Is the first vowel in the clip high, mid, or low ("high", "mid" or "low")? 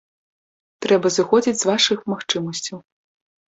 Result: mid